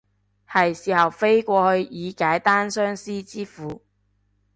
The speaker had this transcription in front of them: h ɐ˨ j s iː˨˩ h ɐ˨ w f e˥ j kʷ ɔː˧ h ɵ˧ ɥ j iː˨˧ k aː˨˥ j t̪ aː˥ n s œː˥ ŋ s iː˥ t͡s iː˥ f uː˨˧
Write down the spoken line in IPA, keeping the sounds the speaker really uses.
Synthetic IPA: h ɐ˨ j s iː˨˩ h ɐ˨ w f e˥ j kʷ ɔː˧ h ɵ˧ ɥ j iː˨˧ k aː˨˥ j t̪ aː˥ n s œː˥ ŋ s iː˥ t͡s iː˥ f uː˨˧